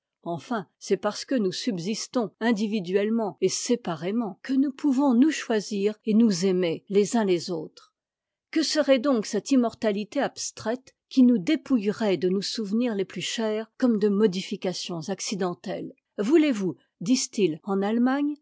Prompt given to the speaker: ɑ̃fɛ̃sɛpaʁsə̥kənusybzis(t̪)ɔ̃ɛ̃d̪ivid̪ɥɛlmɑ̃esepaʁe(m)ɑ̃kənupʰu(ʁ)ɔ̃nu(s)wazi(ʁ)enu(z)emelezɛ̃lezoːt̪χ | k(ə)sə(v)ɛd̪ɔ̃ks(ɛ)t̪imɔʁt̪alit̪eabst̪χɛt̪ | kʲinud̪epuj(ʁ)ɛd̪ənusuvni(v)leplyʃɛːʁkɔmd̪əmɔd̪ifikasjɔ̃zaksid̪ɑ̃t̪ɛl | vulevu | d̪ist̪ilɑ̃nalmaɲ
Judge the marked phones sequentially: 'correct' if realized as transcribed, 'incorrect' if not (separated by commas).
correct, correct, incorrect, incorrect, correct, correct, correct, incorrect, correct, correct, incorrect